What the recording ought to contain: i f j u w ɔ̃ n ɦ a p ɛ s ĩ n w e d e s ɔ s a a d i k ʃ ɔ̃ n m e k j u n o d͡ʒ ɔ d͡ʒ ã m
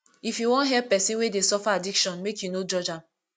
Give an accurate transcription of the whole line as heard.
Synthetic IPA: i f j u w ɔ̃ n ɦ ɛ p ɛ s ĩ n w e d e s ɔ f a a d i k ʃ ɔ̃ n m e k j u n o d͡ʒ ɔ d͡ʒ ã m